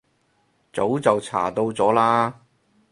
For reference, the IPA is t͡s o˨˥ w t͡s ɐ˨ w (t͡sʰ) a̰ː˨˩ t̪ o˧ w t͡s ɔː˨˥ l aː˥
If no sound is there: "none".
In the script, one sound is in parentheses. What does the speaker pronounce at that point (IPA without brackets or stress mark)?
t͡sʰ